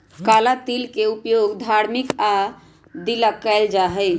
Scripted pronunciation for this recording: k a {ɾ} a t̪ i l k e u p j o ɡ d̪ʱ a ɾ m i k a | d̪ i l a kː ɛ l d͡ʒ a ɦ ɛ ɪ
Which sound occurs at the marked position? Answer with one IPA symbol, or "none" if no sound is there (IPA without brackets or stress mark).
l